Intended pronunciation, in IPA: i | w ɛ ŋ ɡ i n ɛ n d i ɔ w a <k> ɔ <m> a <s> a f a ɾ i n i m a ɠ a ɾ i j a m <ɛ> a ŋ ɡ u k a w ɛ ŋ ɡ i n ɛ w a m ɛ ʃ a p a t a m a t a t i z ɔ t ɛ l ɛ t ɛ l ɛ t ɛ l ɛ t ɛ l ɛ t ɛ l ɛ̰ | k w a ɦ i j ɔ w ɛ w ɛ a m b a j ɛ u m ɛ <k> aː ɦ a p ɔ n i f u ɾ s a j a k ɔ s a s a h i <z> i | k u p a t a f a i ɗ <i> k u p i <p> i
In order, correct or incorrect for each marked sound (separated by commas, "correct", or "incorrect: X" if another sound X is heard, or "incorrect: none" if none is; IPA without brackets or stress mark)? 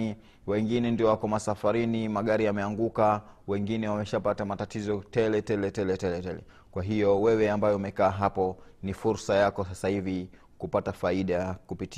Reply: correct, correct, correct, correct, correct, incorrect: v, incorrect: a, incorrect: t